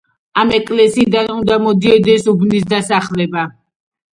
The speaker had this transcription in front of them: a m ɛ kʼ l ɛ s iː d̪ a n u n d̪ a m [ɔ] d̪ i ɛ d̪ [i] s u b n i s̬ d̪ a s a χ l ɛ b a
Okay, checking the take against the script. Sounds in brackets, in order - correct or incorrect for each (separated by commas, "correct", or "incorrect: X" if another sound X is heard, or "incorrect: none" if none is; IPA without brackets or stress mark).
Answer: correct, incorrect: ɛ